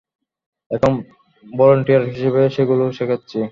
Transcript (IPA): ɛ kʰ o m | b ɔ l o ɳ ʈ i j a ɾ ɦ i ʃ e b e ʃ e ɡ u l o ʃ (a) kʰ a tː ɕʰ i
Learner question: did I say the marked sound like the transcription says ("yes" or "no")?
no